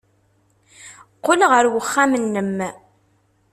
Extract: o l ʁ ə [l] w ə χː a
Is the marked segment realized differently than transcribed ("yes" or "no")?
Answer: yes